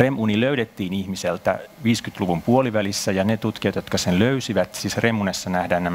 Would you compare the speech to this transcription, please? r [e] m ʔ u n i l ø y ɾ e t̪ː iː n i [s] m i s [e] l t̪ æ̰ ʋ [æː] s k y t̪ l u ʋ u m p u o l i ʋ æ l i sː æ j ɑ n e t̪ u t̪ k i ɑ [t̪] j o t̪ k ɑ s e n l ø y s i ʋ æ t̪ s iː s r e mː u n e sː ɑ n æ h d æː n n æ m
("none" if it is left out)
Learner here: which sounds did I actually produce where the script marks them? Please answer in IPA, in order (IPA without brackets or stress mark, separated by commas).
e, h, e, iː, t̪